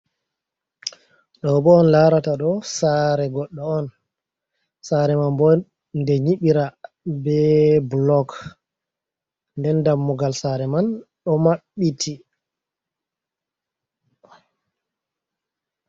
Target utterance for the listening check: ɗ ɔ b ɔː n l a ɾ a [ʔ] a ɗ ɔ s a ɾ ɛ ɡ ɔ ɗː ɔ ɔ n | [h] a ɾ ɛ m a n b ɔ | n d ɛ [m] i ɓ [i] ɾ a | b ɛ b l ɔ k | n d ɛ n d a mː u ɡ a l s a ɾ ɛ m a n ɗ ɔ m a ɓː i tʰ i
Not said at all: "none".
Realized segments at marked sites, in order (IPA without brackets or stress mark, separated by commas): t, s, ɲ, i